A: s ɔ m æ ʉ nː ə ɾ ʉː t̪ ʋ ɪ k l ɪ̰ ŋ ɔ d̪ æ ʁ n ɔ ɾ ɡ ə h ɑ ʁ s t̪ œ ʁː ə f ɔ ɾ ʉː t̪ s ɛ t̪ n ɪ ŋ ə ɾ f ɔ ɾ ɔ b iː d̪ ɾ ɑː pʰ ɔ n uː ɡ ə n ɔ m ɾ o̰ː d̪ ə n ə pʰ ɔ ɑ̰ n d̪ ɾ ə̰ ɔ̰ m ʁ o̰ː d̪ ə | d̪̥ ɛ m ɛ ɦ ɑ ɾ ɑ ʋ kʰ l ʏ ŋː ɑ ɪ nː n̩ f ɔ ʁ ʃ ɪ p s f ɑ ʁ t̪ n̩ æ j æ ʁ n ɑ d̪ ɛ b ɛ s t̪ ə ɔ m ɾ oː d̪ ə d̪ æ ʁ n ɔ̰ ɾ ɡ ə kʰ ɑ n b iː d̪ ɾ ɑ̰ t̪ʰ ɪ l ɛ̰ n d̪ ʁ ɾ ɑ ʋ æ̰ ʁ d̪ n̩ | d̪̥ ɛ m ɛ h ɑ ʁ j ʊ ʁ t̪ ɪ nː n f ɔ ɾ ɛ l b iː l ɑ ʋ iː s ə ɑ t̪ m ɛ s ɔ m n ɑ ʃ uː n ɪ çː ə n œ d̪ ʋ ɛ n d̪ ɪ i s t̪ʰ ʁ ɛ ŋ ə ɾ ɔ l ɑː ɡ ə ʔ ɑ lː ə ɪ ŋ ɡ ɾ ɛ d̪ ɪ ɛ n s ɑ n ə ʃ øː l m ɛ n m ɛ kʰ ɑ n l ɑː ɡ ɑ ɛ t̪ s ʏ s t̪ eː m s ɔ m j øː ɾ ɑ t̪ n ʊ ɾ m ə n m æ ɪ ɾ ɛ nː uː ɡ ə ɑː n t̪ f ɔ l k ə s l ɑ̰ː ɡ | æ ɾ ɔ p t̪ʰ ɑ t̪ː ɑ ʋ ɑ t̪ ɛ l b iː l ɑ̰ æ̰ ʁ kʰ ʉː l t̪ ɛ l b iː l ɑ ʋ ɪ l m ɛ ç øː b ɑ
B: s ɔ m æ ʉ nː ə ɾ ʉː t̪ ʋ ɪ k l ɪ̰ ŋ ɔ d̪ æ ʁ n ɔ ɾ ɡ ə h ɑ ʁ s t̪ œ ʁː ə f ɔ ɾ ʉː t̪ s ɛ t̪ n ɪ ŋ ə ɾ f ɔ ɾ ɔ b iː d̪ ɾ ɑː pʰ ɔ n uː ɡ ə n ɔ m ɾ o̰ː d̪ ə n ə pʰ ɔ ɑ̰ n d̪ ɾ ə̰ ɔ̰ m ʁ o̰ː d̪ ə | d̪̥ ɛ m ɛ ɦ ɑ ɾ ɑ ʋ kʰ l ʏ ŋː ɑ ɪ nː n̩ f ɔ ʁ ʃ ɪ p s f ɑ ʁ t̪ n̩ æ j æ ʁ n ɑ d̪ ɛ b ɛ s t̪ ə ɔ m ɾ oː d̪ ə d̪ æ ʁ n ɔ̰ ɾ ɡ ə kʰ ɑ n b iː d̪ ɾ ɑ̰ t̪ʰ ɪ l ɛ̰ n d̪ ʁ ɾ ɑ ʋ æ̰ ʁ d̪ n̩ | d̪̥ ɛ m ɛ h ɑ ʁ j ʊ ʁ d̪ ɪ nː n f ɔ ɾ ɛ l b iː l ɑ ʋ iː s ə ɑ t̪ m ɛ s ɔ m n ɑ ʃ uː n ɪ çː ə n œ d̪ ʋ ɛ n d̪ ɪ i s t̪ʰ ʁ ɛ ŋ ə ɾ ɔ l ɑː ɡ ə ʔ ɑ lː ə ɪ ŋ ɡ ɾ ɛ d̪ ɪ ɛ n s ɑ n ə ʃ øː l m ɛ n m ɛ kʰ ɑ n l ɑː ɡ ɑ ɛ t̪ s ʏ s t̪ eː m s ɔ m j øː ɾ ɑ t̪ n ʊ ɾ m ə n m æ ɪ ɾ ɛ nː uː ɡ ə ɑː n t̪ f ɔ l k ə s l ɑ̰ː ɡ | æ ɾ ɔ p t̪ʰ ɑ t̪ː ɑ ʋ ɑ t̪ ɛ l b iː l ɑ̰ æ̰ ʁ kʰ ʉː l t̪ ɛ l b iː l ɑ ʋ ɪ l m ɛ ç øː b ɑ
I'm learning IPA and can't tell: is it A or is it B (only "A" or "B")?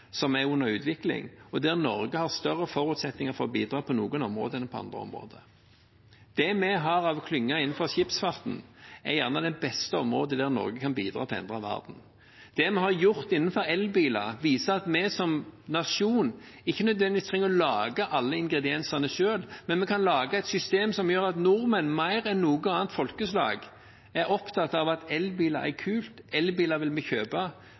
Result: A